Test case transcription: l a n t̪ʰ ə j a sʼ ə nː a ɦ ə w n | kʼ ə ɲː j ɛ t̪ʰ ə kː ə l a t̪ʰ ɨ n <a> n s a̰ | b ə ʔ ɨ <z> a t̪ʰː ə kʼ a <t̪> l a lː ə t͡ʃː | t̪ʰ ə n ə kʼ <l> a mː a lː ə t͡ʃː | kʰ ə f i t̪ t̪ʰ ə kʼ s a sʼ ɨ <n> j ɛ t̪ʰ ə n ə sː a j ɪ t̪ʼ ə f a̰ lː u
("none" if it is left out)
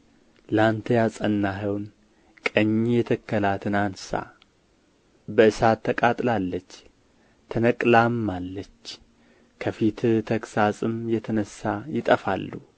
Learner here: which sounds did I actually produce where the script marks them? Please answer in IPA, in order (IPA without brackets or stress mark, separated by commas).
a, s, t̪ʼ, l, m